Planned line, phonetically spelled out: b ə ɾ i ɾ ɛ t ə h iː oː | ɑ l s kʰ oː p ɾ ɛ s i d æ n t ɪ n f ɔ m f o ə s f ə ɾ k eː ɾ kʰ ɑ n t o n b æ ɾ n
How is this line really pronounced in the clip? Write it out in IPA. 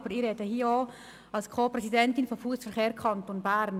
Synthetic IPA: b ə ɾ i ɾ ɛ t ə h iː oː | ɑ l s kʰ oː p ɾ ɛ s i d ɛ n t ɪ n f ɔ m f u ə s f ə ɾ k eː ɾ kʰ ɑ n t o n b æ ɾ n